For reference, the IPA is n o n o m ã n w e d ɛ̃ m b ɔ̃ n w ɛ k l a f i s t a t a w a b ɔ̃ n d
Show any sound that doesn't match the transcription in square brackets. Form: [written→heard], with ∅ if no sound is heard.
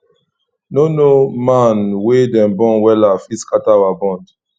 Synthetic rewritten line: n o n o m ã n w e d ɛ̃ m b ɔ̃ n w ɛ [k→∅] l a f i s [t→k] a t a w a b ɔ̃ n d